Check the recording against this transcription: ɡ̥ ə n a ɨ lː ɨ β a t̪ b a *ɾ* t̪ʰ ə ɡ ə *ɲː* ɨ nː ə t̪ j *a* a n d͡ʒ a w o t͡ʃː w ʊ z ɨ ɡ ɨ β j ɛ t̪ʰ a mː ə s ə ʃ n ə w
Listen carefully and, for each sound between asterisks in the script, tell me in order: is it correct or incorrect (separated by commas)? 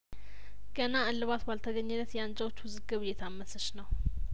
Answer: incorrect, correct, incorrect